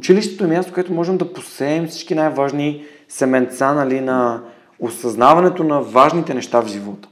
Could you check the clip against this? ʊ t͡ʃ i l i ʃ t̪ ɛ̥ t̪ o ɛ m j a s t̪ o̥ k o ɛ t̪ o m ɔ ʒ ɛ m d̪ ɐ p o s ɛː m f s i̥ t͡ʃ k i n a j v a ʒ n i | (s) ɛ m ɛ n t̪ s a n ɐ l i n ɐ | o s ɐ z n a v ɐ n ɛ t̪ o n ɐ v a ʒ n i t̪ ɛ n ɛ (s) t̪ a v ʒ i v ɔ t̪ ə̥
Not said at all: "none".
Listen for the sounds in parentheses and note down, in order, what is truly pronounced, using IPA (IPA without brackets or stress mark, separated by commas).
s, ʃ